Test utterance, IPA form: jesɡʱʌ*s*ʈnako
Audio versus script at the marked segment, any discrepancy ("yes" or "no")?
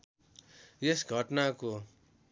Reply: yes